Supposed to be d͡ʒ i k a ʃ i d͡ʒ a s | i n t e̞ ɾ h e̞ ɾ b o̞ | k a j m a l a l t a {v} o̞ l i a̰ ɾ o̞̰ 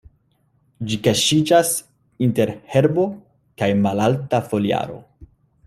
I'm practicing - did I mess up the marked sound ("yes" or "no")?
yes